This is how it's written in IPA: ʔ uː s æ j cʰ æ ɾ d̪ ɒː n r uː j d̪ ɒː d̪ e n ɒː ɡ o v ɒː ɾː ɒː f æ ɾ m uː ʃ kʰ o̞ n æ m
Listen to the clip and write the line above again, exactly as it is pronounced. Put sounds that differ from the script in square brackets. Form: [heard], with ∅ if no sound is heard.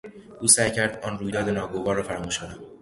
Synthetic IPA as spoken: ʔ uː s æ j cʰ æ ɾ d̪ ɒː n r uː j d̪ ɒː d̪ e n ɒː ɡ o v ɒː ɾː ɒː f æ ɾ m uː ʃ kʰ o̞ n æ m